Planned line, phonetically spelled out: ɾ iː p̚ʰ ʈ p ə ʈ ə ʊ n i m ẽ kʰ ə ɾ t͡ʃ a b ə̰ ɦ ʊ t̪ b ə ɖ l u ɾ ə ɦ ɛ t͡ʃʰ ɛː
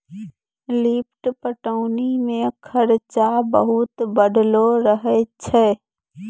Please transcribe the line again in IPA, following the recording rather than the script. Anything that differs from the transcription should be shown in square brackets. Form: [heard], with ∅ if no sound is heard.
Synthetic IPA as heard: [l] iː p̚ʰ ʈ p ə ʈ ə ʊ n i m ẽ kʰ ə ɾ t͡ʃ a b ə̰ ɦ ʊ t̪ b ə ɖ l [o] ɾ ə ɦ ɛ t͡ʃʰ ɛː